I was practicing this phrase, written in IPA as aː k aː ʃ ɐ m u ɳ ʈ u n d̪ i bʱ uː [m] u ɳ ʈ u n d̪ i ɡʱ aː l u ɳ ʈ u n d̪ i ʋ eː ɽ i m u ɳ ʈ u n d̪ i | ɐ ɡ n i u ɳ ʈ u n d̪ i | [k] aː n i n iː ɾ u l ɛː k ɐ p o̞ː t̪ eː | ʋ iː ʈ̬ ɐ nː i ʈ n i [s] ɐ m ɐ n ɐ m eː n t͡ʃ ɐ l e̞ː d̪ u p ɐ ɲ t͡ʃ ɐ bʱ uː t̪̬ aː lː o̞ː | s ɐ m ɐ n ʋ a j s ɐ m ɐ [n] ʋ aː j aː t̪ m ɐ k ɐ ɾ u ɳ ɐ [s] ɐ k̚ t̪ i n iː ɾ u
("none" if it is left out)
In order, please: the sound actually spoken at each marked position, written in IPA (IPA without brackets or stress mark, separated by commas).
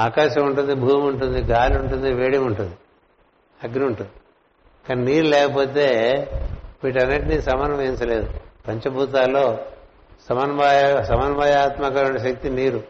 m, k, s, n, ʃ